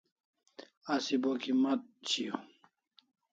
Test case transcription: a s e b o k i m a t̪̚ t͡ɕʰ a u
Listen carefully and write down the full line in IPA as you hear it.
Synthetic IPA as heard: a s i b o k i m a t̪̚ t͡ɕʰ i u